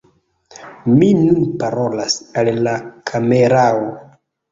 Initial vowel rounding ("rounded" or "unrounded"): unrounded